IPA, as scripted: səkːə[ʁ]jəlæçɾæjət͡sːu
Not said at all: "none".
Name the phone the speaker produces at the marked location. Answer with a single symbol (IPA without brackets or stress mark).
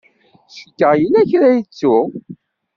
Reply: ʁ